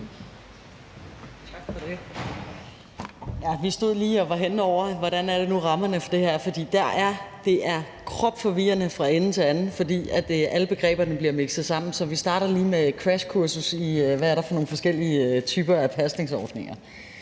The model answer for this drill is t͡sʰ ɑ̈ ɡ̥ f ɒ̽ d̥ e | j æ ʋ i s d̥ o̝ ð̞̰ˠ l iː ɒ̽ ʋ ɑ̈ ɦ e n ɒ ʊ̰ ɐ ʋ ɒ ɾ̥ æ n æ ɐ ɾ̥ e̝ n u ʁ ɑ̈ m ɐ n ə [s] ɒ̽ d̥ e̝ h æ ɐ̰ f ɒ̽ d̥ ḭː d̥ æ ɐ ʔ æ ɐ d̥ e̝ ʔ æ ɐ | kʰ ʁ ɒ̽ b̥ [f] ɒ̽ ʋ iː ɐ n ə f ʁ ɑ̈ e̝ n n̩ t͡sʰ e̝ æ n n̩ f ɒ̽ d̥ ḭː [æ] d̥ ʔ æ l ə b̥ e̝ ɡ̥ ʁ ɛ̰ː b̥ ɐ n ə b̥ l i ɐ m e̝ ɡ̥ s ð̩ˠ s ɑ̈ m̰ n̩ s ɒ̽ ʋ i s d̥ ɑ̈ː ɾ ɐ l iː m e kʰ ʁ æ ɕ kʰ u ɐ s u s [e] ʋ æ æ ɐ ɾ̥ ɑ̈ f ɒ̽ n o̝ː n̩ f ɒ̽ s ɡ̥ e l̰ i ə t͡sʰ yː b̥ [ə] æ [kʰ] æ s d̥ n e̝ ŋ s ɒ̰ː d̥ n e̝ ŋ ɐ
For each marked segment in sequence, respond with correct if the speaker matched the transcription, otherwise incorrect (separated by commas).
incorrect, correct, correct, incorrect, incorrect, incorrect